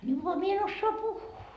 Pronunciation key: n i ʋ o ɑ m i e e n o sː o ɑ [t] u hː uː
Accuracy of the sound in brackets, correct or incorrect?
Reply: incorrect